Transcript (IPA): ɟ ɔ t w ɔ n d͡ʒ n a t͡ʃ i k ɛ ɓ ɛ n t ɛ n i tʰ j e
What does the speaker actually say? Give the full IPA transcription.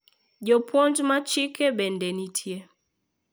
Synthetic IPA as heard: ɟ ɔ p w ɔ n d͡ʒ m a t͡ʃ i k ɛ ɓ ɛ n d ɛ n i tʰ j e